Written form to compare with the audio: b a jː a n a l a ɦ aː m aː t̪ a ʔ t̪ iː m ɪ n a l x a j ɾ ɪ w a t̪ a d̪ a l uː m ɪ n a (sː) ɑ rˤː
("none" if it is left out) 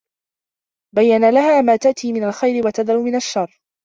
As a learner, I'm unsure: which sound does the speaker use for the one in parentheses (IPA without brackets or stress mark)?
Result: ʃː